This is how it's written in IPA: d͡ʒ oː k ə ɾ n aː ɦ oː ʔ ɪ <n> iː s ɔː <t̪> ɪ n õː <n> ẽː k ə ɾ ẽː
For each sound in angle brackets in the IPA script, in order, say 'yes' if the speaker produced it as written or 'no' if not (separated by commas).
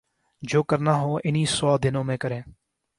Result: yes, no, no